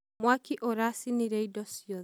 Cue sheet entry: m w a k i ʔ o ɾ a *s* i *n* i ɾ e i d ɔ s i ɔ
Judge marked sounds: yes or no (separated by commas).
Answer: yes, yes